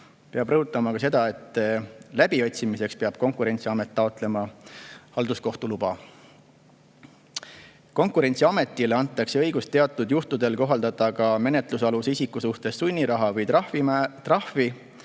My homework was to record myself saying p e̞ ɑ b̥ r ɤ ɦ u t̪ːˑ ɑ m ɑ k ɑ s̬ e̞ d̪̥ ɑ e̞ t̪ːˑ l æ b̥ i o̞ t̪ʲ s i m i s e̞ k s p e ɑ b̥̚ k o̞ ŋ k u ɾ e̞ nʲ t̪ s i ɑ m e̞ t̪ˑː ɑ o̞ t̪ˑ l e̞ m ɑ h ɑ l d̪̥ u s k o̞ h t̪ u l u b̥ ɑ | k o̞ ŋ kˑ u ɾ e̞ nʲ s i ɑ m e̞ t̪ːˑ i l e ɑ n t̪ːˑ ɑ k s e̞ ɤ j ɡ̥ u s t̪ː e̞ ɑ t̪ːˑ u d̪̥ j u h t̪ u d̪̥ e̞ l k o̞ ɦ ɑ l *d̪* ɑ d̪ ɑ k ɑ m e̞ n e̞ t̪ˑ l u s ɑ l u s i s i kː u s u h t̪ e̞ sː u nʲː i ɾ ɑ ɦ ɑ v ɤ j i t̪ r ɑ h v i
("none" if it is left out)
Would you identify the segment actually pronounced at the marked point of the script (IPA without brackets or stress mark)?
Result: d̪